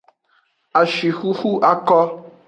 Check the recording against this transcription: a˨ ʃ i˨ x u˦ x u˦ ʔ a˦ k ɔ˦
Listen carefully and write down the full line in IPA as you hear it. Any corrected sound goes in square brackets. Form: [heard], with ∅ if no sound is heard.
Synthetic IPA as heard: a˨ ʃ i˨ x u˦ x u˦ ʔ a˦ k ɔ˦